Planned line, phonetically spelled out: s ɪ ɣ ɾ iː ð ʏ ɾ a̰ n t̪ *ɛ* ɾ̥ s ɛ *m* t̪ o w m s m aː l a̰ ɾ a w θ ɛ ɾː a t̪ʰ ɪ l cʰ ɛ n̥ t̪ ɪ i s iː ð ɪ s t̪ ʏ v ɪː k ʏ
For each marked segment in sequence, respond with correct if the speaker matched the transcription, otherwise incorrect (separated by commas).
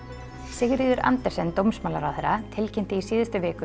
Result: correct, incorrect